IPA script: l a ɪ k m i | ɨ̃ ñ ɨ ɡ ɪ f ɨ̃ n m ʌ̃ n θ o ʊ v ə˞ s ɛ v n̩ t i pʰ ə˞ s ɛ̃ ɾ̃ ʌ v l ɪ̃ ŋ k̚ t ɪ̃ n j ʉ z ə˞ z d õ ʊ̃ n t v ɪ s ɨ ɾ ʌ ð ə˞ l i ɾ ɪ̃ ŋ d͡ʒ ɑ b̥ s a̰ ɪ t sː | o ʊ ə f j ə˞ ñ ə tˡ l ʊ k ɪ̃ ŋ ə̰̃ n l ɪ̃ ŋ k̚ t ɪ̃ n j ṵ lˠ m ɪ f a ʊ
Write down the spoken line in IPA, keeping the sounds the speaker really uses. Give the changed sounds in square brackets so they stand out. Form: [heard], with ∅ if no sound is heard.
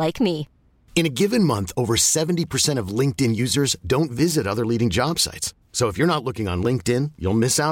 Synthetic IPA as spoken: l a ɪ k m i | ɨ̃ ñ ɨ ɡ ɪ [v] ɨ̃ n m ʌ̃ n θ o ʊ v ə˞ s ɛ v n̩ t i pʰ ə˞ s ɛ̃ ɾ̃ ʌ v l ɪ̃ ŋ k̚ t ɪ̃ n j ʉ z ə˞ z d õ ʊ̃ n t v ɪ [z] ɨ ɾ ʌ ð ə˞ l i ɾ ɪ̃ ŋ d͡ʒ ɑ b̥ s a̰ ɪ t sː | o ʊ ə f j ə˞ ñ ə tˡ l ʊ k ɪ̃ ŋ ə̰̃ n l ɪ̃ ŋ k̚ t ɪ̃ n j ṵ lˠ m ɪ [s] a ʊ